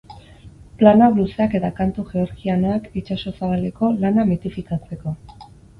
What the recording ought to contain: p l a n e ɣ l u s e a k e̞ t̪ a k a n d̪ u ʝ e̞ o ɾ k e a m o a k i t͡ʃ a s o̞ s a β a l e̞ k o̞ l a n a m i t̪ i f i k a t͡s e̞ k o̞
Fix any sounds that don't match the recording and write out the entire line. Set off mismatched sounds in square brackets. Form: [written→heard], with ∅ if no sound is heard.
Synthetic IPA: p l a n [e→a] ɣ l u s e a k e̞ t̪ a k a n [d̪→t̪] u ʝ e̞ o ɾ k [e→i] a [m→n] o a k i t͡ʃ a s o̞ s a β a l e̞ k o̞ l a n a m i t̪ i f i k a t͡s e̞ k o̞